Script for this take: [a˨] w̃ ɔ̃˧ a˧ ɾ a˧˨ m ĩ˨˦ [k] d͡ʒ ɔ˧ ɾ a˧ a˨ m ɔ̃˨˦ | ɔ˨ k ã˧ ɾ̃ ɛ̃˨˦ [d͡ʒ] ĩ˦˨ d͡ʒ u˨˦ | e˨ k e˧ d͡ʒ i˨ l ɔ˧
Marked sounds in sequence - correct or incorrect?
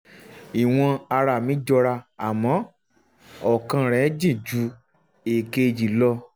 incorrect: i˨, incorrect: none, correct

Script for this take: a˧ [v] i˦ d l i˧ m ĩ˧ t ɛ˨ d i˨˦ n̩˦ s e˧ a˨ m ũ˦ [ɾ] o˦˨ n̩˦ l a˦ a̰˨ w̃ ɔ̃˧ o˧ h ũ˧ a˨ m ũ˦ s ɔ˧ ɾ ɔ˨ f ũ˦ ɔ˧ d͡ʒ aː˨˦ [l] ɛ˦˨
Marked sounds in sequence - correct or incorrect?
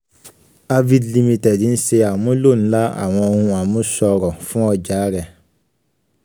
correct, incorrect: l, incorrect: ɾ

